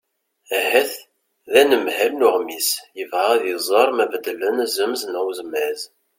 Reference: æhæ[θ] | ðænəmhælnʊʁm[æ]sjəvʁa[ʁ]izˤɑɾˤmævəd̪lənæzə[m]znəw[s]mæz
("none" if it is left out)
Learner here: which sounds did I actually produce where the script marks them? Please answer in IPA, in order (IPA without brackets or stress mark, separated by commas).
θ, i, ð, m, z